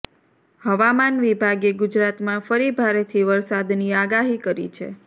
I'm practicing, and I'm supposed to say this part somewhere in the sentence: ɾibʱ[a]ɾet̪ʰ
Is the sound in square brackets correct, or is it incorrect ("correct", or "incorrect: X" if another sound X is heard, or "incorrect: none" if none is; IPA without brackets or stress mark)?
correct